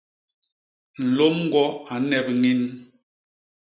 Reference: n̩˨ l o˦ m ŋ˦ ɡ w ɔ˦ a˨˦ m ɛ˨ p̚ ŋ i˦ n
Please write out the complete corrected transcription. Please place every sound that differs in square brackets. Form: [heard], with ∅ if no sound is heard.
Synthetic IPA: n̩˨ l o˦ m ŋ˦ ɡ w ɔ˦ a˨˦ [n] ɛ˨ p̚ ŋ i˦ n